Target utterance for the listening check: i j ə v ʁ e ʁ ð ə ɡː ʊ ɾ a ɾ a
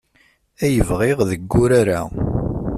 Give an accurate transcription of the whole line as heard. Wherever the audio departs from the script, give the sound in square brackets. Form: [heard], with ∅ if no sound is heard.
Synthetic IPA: [æ] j ə v ʁ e ʁ ð ə ɡː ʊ ɾ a ɾ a